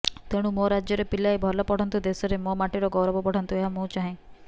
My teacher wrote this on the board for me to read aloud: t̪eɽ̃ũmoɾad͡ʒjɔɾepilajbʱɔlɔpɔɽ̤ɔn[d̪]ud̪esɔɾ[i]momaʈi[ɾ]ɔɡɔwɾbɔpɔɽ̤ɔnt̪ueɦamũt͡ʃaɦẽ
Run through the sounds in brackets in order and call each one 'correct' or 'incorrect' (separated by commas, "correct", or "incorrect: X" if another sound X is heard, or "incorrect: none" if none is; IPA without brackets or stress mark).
incorrect: t̪, incorrect: e, correct